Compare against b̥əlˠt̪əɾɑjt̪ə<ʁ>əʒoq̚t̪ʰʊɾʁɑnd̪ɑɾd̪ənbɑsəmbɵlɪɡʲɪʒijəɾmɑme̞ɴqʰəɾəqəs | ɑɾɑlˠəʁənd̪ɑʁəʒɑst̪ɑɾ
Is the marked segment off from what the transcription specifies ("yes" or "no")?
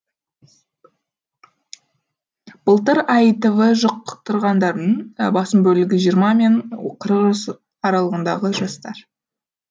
yes